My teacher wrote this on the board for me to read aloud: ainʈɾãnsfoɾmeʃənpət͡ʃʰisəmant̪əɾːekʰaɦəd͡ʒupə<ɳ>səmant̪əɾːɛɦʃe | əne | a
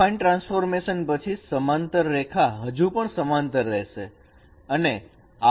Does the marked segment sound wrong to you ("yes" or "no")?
no